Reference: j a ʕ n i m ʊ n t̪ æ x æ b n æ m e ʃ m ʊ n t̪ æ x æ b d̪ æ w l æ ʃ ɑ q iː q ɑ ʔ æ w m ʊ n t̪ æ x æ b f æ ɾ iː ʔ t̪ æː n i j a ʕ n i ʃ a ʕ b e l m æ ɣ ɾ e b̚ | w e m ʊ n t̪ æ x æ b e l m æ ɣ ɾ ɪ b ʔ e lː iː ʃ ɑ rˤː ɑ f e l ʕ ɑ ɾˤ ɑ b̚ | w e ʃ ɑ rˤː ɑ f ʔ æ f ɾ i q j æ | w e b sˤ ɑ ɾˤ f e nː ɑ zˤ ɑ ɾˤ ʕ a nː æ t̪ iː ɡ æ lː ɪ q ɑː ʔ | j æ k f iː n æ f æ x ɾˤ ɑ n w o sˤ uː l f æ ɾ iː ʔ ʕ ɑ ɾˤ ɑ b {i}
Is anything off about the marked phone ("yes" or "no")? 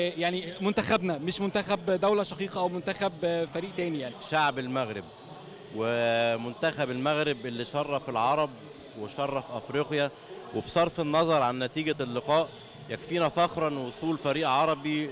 no